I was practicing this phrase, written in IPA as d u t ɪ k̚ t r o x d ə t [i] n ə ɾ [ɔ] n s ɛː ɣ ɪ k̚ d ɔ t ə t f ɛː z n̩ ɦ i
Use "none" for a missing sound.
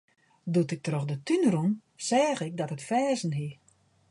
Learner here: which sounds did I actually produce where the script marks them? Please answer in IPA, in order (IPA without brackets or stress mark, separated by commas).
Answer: y, u